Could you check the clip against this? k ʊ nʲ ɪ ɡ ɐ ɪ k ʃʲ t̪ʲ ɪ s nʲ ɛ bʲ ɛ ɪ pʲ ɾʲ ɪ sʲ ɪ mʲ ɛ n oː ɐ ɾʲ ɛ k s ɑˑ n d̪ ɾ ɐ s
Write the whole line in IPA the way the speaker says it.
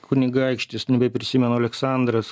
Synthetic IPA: k ʊ nʲ ɪ ɡ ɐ ɪ k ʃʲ t̪ʲ ɪ s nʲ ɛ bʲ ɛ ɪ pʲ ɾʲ ɪ sʲ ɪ mʲ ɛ n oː ɐ lʲ ɛ k s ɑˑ n d̪ ɾ ɐ s